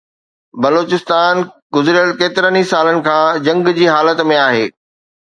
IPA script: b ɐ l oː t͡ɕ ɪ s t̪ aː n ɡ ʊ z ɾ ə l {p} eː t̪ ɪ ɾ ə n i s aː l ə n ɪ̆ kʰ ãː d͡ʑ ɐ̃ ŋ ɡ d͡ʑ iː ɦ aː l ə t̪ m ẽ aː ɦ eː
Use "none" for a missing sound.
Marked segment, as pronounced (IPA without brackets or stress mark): k